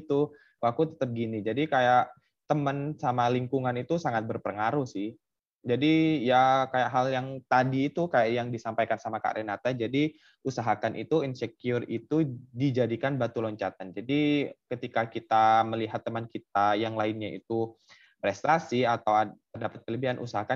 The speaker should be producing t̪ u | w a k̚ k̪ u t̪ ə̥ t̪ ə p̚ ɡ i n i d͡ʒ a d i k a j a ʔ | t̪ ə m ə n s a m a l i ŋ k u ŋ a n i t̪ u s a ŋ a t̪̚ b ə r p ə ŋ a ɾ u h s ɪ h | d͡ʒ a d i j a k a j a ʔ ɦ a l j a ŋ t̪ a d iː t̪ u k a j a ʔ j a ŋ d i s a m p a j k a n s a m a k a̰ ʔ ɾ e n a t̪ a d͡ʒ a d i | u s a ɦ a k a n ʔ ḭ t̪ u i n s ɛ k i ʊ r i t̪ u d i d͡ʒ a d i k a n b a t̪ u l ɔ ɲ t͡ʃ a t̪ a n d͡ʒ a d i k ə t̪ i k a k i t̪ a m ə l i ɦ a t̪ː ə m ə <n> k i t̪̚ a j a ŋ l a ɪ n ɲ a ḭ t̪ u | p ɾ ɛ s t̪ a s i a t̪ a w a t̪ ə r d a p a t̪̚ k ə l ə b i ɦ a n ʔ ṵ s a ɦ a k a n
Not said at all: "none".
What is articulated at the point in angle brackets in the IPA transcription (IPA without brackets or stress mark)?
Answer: n